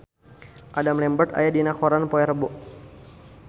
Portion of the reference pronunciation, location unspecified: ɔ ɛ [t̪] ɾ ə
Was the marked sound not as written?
yes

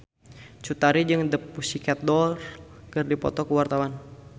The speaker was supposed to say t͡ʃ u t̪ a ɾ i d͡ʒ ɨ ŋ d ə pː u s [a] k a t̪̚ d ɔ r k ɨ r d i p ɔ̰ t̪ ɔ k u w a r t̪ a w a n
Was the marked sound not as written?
yes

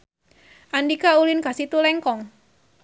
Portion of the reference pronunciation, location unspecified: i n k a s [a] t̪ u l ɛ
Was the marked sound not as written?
yes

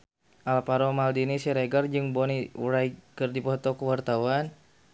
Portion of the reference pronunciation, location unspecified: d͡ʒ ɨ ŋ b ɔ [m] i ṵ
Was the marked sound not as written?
yes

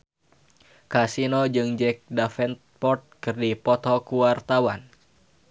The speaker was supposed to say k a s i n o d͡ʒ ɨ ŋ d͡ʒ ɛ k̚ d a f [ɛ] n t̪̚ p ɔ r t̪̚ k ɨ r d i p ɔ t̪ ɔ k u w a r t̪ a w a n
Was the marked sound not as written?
no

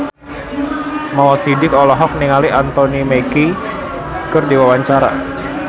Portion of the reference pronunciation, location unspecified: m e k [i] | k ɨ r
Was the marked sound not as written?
no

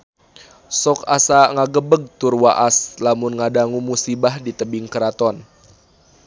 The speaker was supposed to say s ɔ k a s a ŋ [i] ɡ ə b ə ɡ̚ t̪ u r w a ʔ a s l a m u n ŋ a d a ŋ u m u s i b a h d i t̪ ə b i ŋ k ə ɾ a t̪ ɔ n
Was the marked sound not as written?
yes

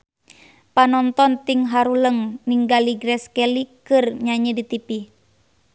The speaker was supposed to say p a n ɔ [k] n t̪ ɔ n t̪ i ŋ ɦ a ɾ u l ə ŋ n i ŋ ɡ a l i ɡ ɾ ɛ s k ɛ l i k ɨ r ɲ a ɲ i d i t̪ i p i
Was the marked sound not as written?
yes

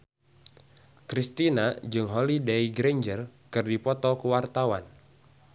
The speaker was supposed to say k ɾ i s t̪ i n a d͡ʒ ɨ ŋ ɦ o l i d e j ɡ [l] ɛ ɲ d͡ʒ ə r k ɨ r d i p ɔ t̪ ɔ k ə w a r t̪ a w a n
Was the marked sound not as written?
yes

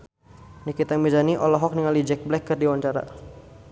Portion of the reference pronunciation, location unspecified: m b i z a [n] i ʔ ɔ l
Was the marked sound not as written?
no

